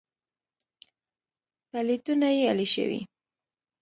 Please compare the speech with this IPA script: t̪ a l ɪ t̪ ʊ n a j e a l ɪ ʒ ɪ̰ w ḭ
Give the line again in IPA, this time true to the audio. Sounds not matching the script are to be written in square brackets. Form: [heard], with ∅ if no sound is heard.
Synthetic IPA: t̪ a l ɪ t̪ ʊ n a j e a l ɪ [ʃ] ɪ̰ w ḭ